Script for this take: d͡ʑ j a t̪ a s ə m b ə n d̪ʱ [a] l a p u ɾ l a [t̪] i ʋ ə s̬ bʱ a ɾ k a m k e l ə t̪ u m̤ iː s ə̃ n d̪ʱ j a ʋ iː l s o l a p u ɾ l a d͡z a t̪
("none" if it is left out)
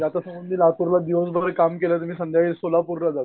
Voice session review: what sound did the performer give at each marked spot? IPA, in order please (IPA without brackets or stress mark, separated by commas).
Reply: i, d̪